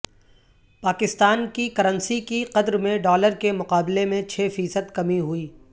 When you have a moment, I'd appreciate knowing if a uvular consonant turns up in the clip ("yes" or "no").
yes